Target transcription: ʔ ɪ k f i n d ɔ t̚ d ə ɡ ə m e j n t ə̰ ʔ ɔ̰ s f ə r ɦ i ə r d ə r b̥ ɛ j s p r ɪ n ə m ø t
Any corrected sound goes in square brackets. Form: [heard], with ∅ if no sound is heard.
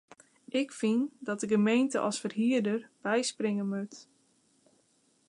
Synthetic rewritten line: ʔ ɪ k f i n d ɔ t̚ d ə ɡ ə m e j n t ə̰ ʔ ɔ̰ s f ə r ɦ i ə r d ə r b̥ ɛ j s p r ɪ [ŋ] ə m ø t